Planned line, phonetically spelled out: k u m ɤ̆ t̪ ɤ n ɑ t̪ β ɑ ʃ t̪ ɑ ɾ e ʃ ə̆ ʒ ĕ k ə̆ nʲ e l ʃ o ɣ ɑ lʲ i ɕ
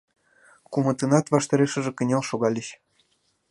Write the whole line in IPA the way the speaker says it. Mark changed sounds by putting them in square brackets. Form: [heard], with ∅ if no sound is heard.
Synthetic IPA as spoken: k u m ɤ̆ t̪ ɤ n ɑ t̪ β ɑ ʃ t̪ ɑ ɾ e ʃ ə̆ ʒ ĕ k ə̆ nʲ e l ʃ o ɣ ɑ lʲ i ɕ